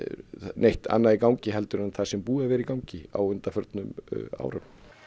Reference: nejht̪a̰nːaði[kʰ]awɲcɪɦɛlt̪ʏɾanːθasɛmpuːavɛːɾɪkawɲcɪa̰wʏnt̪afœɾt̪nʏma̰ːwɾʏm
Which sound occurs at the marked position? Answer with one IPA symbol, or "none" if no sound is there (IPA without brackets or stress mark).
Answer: k